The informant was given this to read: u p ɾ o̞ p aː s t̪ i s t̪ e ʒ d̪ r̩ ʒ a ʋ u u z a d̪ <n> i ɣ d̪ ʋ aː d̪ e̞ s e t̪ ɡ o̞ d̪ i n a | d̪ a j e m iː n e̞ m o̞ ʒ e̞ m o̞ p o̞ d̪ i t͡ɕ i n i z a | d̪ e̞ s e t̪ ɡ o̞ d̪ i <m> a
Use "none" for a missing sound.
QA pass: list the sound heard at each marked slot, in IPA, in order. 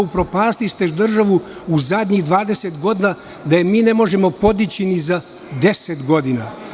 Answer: ɲ, n

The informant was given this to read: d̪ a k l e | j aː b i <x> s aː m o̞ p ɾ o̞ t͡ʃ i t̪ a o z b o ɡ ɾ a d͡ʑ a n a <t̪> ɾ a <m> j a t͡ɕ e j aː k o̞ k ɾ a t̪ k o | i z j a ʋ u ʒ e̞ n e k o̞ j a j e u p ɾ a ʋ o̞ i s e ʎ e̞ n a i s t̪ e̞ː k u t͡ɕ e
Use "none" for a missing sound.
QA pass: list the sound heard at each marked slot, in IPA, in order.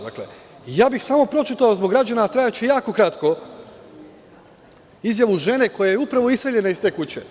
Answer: x, t̪, none

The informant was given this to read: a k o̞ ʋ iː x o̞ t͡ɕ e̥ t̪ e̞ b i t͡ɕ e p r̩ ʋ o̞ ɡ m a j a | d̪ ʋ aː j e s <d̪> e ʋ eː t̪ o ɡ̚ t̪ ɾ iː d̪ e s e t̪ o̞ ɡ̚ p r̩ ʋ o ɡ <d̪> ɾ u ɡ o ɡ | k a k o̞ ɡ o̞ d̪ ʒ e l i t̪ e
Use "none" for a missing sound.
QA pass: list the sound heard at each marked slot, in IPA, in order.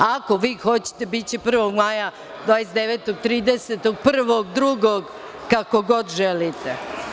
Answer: d̪, d̪

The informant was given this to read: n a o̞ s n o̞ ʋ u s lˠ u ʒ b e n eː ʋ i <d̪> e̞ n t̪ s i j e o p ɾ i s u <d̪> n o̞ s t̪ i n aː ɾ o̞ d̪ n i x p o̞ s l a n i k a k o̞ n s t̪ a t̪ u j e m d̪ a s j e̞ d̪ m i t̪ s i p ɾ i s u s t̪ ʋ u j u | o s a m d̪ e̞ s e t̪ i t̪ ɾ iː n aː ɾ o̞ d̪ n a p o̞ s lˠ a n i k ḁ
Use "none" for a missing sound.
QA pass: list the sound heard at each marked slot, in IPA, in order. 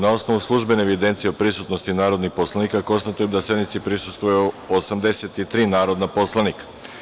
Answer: d̪, t̪

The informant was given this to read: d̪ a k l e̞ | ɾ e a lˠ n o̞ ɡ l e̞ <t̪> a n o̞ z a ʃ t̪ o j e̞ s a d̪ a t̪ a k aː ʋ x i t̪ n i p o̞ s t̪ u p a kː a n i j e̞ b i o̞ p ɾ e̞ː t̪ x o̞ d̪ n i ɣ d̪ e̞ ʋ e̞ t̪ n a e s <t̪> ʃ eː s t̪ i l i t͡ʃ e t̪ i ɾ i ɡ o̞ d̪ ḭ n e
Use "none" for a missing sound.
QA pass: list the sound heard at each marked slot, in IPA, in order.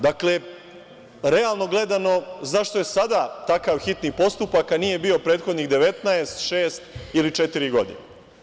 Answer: d̪, t̪

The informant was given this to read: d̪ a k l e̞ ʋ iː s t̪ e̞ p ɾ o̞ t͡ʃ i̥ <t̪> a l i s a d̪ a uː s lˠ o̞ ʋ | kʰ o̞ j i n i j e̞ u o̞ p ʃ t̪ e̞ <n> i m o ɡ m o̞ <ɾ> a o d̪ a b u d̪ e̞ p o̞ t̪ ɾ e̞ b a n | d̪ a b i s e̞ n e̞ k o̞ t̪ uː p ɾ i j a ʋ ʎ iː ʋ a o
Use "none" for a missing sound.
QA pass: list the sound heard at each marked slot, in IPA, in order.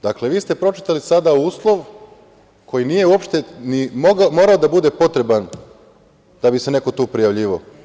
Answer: t̪, n, ɾ

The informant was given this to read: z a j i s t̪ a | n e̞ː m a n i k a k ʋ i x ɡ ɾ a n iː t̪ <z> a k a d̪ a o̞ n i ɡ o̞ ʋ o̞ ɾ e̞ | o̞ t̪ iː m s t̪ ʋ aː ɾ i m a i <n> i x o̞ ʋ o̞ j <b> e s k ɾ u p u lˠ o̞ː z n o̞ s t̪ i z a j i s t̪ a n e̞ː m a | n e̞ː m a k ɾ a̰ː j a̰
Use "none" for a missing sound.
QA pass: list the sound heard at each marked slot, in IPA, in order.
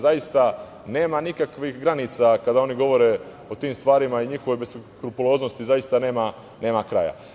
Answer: s, ɲ, b

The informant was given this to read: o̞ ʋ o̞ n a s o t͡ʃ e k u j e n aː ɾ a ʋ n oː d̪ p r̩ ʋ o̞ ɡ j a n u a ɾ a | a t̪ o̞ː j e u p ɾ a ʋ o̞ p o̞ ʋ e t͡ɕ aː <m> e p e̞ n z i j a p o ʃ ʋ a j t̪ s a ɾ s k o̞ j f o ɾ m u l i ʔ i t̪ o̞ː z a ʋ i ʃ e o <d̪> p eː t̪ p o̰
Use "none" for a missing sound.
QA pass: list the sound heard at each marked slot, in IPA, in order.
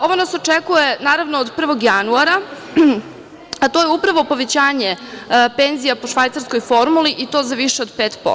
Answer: ɲ, d̪

